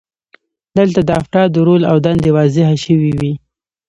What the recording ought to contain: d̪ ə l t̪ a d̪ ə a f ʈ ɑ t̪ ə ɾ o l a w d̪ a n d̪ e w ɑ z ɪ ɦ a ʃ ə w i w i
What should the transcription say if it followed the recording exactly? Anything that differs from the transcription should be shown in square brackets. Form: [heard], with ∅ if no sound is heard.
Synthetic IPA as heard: d̪ ə l t̪ a d̪ ə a f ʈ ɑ [d̪] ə ɾ o l a w d̪ a n d̪ e w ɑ z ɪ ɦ a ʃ ə w i w i